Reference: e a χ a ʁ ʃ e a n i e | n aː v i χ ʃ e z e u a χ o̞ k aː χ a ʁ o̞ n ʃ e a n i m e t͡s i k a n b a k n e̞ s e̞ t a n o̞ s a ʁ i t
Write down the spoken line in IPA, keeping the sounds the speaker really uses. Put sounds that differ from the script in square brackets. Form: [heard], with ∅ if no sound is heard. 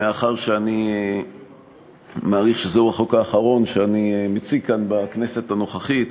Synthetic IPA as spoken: e a χ a ʁ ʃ e a n i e | [m] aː [ʁ] i χ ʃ e z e u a χ o̞ k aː χ a ʁ o̞ n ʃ e a n i m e t͡s i k a n b a k n e̞ s e̞ t a n o̞ [χ] a [χ] i t